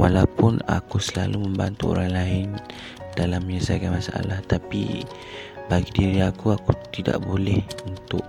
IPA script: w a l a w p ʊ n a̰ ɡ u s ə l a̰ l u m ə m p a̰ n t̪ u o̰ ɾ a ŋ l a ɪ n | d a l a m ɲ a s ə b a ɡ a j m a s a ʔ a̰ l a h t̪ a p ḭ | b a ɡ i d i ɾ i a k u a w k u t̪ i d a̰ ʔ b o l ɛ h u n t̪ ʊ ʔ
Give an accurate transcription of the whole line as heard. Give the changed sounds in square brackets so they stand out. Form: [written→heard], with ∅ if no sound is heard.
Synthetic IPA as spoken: w a l a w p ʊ n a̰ [ɡ→k] u s ə l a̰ l u m ə m [p→b] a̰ n t̪ u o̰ ɾ a ŋ l a ɪ n | d a l a m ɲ a s ə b a ɡ a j m a s a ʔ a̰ l a h t̪ a p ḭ | b a ɡ i d i ɾ i a k u a [w→∅] k u t̪ i d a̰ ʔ b o l ɛ h u n t̪ ʊ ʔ